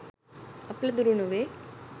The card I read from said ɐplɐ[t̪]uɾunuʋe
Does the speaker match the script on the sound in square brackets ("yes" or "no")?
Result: no